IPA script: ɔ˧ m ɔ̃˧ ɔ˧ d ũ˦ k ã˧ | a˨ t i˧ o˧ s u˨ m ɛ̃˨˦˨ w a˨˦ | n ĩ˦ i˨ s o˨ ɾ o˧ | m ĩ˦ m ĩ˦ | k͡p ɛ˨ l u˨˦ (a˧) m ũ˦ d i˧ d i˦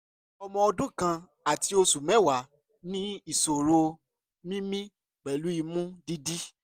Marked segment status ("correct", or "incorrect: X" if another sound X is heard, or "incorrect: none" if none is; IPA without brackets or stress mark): incorrect: i˧